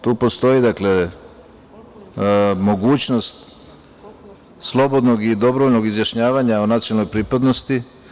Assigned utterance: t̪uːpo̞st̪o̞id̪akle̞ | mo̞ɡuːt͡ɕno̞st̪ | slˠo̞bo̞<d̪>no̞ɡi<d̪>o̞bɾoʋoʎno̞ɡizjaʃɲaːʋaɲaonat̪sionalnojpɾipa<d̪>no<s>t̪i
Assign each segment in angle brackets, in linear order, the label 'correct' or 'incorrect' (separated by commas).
correct, correct, correct, correct